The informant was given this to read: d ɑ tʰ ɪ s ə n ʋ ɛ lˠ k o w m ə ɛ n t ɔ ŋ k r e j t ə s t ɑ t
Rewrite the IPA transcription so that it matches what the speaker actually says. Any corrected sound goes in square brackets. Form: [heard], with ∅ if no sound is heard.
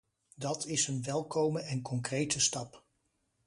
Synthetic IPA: d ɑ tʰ ɪ s ə n ʋ ɛ lˠ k o w m ə ɛ n [k] ɔ ŋ k r e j t ə s t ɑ [p]